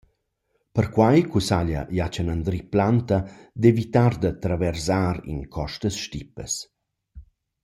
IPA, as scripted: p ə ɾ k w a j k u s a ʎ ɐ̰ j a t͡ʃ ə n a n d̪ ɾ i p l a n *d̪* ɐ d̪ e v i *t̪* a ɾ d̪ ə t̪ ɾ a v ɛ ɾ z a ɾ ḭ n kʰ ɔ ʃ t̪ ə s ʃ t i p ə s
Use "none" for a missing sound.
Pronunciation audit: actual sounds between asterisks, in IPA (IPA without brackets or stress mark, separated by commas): t̪, t̪